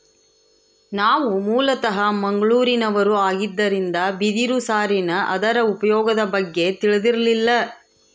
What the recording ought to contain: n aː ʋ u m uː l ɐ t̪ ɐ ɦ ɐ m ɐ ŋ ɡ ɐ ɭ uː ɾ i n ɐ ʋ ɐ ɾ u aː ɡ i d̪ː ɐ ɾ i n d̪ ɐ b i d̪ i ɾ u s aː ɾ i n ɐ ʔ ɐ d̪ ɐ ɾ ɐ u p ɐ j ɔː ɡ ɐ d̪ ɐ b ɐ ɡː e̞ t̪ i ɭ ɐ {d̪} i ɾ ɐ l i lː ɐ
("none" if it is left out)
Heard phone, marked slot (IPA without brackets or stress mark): d̪